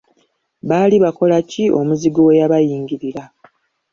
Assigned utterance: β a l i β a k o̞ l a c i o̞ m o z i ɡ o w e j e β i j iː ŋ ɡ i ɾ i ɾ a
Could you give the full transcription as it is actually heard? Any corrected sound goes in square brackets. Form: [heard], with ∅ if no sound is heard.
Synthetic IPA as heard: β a l i β a k o̞ l a c i o̞ m [u] z i ɡ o w e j [a] β [a] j iː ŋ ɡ i ɾ i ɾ a

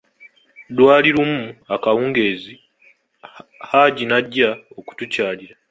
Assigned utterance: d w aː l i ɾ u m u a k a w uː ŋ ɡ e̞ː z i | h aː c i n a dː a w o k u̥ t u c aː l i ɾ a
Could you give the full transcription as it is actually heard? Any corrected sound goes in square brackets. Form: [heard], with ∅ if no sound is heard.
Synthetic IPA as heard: d w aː l i ɾ u m u a k a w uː ŋ ɡ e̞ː z i | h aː [ɟ] i n a [ɟː] a [∅] o k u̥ t u c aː l i ɾ a

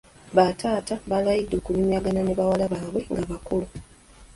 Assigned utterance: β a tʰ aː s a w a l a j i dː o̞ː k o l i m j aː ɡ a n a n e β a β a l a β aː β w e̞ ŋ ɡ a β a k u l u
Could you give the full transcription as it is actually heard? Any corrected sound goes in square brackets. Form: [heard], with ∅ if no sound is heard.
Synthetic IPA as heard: β a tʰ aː [t] a [β] a l a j i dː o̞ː k [u] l i m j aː ɡ a n a n e β a [w] a l a β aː β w e̞ ŋ ɡ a β a k u l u

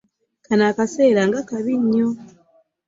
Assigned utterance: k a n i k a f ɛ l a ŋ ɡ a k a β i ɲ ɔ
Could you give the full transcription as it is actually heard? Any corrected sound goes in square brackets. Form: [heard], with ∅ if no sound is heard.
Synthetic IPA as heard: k a n [a] k a [s] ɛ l a ŋ ɡ a k a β i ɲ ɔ

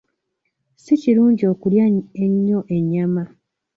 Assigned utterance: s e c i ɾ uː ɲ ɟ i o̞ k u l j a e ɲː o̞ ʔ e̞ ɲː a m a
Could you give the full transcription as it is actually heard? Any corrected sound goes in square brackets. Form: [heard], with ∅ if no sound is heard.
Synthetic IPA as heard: s [i] c i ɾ uː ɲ ɟ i o̞ k u l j a e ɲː o̞ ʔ e̞ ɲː a m a

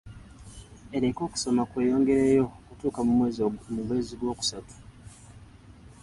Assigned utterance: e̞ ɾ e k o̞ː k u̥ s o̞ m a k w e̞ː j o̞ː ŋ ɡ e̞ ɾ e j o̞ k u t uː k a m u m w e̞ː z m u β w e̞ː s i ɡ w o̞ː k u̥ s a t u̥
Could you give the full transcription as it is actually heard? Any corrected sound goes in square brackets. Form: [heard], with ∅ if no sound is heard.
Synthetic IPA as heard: e̞ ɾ e k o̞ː k u̥ s o̞ m a k w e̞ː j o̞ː ŋ ɡ e̞ ɾ e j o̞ k u t uː k a m u m w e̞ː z m u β w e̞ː [z] i ɡ w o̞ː k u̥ s a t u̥

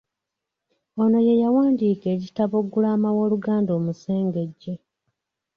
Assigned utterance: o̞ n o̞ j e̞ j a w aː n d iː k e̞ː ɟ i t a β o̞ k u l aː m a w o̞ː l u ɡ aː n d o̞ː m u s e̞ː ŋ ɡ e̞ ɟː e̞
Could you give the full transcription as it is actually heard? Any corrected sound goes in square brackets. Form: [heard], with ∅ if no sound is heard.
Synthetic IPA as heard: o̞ n o̞ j e̞ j a w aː n d iː k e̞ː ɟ i t a β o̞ [ɡ] u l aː m a w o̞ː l u ɡ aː n d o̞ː m u s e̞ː ŋ ɡ e̞ ɟː e̞

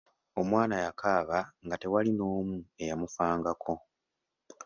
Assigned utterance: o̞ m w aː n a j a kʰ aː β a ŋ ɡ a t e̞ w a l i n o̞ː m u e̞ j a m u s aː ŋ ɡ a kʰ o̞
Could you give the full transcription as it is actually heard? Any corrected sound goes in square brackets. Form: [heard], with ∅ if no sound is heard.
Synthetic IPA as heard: o̞ m w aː n a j a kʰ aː β a ŋ ɡ a t e̞ w a l i n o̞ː m u e̞ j a m u [f] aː ŋ ɡ a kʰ o̞

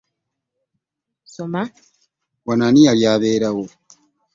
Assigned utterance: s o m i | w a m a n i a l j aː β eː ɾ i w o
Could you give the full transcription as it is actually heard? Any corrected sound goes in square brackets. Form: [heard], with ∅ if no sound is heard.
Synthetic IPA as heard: s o m [a] | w a [n] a n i a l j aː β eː ɾ [a] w o

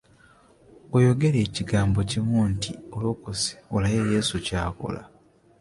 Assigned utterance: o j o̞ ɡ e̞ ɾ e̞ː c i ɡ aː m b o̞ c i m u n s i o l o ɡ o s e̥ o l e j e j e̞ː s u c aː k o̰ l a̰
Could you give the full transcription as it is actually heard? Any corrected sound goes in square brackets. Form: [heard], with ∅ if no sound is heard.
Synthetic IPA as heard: o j o̞ ɡ e̞ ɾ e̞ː c i ɡ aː m b o̞ c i m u n [t] i o l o [k] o s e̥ o l [a] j e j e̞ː s u c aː k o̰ l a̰

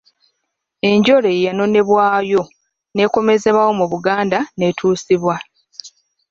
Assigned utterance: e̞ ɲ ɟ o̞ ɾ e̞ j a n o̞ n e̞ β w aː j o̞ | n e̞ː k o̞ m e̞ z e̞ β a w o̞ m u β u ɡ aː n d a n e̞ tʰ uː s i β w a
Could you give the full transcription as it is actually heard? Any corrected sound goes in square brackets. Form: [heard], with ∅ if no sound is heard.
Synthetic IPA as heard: e̞ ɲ ɟ o̞ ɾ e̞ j a n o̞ n e̞ β w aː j o̞ | n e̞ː k o̞ m e̞ z e̞ β a w o̞ m u β u ɡ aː n d a n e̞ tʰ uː s i β w a

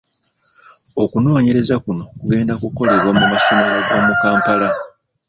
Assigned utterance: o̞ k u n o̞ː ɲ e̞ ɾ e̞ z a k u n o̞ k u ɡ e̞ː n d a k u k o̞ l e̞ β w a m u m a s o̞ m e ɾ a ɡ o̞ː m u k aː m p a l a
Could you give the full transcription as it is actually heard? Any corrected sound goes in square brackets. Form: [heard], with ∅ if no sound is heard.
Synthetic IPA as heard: o̞ k u n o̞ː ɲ e̞ ɾ e̞ z a k u n o̞ k u ɡ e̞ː n d a k u k o̞ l e̞ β w a m u m a s o̞ m e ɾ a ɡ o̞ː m u k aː m p a l a

